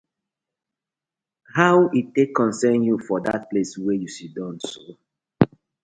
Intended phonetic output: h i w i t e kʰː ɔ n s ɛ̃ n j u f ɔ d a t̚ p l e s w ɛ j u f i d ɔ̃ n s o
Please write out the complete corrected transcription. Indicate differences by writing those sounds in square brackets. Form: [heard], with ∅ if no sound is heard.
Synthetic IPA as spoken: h [a] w i t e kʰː [ɔ̃] n s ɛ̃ n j u f ɔ d a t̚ p l e s w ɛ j u [s] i d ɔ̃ n s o